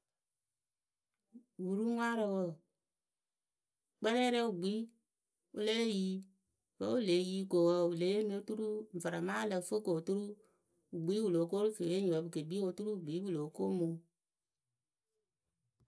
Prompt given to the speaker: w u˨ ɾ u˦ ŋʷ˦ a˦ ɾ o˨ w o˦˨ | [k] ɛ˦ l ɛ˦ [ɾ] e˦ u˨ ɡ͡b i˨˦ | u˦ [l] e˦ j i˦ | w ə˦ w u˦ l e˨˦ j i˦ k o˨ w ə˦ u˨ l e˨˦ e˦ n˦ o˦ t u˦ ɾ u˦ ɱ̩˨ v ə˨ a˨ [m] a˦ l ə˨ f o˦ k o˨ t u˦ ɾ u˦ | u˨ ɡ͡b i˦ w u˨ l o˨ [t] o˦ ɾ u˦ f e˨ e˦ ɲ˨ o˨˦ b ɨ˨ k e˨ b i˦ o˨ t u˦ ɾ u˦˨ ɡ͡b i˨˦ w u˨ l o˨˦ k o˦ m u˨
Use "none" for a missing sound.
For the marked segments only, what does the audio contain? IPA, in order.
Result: k͡p, ɾ, l, m, k

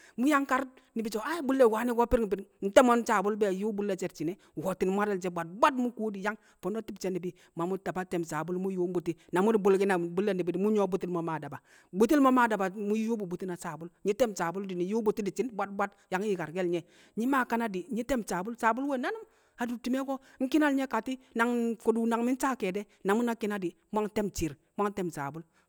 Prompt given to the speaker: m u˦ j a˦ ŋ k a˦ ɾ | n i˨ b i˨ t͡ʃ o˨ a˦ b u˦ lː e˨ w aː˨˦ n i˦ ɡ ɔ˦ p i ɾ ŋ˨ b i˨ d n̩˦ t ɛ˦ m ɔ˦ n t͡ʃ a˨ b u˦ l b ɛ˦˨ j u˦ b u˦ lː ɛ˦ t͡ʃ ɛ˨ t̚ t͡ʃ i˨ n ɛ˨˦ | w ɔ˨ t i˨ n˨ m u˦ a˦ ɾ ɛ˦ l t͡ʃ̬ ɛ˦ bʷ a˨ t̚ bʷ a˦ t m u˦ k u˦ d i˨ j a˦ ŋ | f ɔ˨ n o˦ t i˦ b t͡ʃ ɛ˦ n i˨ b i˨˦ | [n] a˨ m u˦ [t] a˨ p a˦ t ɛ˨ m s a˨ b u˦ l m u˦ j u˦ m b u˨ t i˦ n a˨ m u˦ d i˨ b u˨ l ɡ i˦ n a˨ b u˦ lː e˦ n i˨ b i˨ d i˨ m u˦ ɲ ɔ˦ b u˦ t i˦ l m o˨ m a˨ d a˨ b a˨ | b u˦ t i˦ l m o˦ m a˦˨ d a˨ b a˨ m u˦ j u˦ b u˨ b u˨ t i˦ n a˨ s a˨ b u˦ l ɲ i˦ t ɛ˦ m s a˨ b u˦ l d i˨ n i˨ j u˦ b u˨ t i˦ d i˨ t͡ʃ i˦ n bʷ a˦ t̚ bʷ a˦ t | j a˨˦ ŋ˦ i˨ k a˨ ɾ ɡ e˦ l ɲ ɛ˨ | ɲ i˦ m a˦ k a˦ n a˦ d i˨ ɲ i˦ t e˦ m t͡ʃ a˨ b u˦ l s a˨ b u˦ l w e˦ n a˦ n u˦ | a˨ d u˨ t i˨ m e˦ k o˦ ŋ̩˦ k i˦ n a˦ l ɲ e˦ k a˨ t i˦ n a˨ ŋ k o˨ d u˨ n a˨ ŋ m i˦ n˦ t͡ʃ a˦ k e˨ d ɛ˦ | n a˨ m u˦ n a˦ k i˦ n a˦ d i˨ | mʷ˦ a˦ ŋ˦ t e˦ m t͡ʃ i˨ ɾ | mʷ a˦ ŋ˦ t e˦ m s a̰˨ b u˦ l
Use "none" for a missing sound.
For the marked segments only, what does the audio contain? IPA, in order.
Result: m, t

